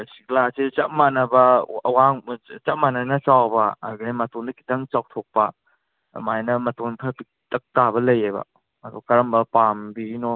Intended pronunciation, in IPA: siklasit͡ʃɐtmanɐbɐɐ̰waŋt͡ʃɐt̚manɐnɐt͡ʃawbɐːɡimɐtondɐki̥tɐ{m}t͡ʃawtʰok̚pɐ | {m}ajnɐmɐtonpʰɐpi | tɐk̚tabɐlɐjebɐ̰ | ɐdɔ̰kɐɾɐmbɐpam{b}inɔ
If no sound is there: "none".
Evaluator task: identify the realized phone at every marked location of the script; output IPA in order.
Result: ŋ, m, b

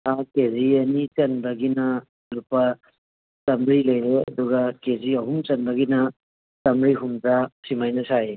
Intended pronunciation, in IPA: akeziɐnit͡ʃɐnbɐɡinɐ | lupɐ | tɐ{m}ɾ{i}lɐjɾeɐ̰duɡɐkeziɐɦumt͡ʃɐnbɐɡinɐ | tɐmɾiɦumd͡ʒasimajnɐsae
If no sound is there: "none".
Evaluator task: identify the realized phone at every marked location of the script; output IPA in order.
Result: m, i

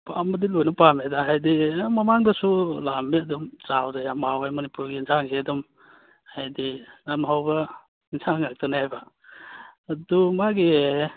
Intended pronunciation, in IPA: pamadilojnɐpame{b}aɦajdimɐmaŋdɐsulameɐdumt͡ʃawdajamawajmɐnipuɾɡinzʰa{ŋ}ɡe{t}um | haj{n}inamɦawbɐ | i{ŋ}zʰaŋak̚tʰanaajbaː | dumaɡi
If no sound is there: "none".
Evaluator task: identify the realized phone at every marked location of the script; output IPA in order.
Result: d, ŋ, d, d, n

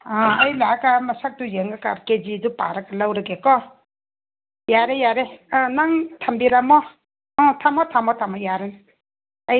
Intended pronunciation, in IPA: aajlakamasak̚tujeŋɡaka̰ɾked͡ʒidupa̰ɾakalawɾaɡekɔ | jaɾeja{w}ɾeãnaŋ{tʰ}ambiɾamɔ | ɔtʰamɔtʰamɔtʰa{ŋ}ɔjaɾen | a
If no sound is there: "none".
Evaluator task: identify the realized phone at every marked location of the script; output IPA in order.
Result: none, tʰ, m

